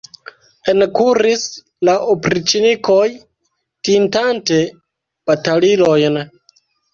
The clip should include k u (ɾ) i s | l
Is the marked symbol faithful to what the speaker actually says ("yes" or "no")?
yes